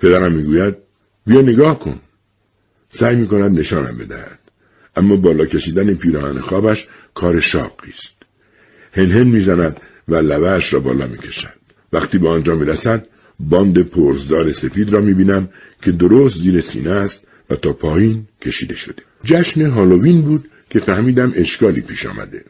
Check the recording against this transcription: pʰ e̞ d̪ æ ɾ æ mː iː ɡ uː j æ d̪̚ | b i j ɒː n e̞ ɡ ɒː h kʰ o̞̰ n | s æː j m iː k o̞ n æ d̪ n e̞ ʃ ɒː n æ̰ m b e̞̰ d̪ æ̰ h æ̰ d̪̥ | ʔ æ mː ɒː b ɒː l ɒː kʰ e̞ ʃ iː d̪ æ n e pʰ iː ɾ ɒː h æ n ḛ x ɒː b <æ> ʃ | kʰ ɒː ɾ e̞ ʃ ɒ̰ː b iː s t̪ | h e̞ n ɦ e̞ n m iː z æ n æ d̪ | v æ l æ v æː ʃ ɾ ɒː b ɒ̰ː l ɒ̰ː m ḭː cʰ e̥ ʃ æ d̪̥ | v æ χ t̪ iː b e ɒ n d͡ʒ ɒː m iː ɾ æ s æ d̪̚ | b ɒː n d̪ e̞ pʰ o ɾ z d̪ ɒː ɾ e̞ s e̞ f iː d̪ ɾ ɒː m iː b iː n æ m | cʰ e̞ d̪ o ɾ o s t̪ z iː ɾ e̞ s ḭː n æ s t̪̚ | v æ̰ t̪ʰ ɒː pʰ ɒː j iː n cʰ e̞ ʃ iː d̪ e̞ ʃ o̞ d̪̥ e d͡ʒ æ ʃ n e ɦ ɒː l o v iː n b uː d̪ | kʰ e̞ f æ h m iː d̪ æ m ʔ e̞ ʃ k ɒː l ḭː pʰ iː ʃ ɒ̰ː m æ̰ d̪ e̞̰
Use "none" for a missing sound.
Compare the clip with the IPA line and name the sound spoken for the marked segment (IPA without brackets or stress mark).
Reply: æ